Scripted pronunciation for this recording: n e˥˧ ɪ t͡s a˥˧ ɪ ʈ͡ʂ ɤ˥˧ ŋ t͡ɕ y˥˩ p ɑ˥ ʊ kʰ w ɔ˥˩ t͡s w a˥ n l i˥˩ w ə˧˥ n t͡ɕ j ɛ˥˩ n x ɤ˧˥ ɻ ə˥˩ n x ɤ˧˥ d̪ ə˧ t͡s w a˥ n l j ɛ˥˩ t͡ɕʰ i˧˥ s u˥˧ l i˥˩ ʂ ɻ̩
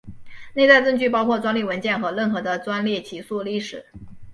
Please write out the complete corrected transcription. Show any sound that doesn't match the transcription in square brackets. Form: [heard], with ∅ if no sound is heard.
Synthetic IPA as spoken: n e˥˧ ɪ t͡s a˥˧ ɪ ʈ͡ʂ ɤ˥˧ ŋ t͡ɕ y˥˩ p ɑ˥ ʊ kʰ w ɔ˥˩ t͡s w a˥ n l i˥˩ w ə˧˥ n t͡ɕ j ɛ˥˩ n x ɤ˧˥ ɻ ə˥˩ n x ɤ˧˥ d̪ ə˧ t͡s w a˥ n l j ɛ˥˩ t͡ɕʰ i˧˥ s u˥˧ l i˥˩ ʂ ɻ̩